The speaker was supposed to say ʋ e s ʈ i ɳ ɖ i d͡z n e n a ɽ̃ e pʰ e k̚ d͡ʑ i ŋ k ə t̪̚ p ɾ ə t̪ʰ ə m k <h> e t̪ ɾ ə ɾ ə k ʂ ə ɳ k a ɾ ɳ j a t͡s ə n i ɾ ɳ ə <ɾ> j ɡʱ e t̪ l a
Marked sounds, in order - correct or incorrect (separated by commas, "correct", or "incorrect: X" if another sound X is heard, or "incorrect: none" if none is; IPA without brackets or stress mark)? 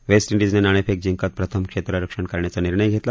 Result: incorrect: ʂ, incorrect: none